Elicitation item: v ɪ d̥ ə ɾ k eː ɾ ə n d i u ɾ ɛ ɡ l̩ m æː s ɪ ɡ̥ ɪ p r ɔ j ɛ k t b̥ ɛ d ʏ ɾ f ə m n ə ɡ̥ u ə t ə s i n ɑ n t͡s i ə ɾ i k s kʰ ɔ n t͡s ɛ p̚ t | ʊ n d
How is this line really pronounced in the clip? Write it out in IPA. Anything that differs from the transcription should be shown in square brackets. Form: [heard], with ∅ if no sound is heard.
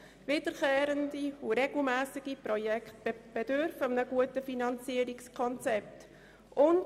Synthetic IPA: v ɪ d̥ ə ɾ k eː ɾ ə n d i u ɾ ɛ ɡ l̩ m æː s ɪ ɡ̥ [i] p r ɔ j ɛ k t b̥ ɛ d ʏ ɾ f ə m n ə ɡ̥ u ə t ə [f] i n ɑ n t͡s i ə ɾ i k s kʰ ɔ n t͡s ɛ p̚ t | ʊ n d